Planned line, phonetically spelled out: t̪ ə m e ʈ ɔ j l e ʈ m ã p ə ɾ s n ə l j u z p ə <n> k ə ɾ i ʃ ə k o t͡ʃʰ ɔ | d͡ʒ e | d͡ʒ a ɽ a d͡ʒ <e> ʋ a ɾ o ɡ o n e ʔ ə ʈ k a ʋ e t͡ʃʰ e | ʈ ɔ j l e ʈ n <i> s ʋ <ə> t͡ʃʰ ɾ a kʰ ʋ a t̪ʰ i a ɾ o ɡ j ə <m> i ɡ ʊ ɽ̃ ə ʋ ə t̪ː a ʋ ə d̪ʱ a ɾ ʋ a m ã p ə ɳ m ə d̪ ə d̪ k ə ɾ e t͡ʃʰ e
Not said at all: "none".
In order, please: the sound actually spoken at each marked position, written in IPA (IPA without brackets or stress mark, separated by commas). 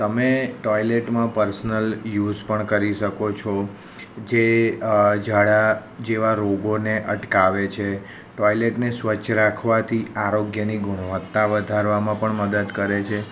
ɳ, e, e, ə, n